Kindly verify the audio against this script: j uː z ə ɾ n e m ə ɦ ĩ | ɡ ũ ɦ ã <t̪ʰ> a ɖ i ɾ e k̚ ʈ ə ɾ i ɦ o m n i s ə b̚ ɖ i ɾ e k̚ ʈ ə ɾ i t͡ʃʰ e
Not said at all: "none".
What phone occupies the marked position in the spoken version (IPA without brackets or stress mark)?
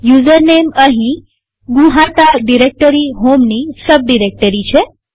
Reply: t̪